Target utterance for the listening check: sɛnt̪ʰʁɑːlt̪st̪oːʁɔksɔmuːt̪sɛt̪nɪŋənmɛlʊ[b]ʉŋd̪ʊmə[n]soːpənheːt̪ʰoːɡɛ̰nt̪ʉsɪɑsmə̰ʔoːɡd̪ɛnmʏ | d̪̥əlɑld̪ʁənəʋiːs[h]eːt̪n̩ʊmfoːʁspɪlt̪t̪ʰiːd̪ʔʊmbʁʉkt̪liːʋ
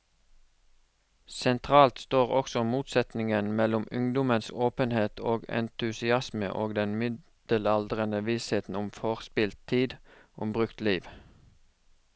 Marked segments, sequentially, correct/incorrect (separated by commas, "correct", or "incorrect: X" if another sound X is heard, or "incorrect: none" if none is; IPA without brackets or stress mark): incorrect: m, correct, correct